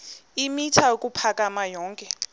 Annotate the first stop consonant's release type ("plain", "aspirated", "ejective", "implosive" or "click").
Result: aspirated